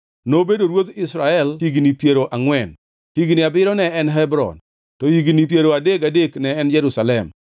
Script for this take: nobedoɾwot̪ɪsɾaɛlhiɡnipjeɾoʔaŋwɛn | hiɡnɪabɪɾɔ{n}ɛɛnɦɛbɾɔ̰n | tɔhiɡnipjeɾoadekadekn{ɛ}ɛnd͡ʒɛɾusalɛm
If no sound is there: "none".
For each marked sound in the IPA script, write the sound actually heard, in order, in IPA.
n, ɛ

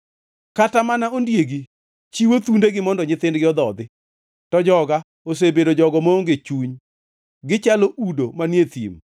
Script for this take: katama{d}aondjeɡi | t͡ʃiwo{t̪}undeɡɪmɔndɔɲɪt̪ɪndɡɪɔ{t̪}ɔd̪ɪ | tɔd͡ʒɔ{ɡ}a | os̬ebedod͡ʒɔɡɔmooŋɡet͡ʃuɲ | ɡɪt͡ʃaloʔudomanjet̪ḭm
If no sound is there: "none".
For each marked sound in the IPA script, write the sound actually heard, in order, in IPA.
n, t̪, d̪, ɡ

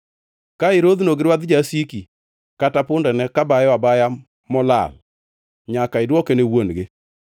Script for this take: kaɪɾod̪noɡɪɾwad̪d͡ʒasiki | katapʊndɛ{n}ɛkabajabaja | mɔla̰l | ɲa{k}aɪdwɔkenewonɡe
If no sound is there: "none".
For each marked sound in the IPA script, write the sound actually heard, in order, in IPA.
n, k

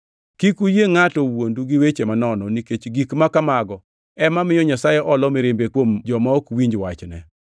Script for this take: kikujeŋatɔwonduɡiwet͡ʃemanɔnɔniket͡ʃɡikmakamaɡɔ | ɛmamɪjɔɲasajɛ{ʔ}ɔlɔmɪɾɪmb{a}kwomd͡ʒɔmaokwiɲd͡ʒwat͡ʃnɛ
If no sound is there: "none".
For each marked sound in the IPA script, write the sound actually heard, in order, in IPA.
ʔ, e

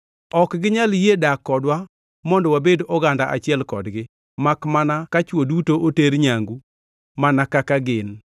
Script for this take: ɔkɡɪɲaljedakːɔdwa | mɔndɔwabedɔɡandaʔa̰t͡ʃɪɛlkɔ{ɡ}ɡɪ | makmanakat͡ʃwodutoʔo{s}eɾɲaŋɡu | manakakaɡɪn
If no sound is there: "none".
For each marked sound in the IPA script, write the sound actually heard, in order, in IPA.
d, t

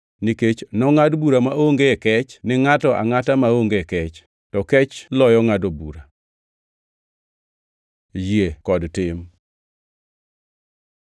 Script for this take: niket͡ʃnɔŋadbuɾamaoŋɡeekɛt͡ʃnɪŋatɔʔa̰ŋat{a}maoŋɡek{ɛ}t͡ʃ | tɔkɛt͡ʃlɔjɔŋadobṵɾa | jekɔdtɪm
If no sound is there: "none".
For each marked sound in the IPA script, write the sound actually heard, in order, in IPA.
a, ɛ

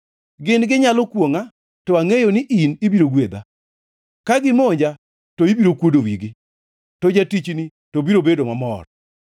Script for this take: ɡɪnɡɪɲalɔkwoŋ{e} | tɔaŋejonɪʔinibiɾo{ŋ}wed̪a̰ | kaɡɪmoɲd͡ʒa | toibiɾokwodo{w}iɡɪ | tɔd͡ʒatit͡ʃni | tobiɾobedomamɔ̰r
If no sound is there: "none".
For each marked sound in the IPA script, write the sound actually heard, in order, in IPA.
a, ɡ, w

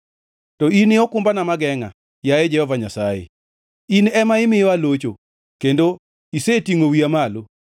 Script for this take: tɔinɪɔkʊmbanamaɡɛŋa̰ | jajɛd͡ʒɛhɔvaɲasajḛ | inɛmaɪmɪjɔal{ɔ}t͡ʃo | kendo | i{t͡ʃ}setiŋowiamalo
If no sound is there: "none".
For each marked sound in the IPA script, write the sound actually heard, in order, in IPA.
o, none

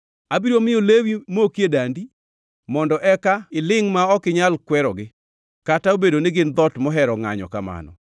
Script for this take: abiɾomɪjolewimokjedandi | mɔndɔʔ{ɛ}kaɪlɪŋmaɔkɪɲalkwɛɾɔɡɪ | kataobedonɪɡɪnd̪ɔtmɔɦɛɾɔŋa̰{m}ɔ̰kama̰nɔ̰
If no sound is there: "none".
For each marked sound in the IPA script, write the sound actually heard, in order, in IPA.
ɛ, ɲ

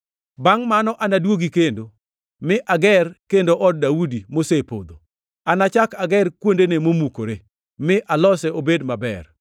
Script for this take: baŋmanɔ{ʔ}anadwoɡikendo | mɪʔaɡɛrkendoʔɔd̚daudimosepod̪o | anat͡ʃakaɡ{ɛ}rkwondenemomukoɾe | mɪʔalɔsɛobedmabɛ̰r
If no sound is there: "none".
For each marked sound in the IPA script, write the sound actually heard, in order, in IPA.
ʔ, ɛ

